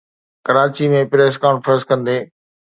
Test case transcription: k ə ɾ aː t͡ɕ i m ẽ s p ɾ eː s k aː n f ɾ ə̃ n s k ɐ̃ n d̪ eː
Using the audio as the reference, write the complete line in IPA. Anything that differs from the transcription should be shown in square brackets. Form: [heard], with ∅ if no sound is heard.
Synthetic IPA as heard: k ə ɾ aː t͡ɕ i m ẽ [∅] p ɾ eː s k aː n f ɾ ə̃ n s k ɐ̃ n d̪ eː